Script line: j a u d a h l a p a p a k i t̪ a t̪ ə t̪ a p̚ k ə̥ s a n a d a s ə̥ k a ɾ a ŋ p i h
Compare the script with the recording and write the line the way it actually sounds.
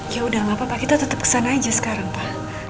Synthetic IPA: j a u d a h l a p a p a k i t̪ a t̪ ə t̪ ə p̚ k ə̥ s a n a d͡ʒ a s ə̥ k a ɾ a ŋ p a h